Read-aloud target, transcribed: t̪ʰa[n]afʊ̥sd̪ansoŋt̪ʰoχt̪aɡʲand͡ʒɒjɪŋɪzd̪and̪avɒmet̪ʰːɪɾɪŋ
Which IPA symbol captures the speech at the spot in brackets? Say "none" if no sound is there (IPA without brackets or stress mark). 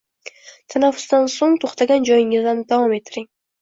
n